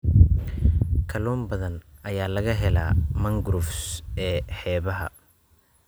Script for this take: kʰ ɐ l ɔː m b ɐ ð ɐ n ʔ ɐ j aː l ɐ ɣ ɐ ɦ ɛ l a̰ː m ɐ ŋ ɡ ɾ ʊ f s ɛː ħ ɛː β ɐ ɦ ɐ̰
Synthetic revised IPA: kʰ ɐ l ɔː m b ɐ ð ɐ n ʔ ɐ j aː l ɐ ɣ ɐ ɦ ɛ l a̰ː m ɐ ŋ ɡ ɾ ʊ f s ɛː ħ ɛː β ɐ ɦ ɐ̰